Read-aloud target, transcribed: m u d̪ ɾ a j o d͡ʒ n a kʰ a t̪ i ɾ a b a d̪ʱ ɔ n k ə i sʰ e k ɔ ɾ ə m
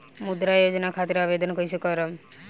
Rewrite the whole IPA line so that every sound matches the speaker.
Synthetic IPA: m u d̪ ɾ a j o d͡ʒ n a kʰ a t̪ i ɾ a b e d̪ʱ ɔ n k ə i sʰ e k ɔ ɾ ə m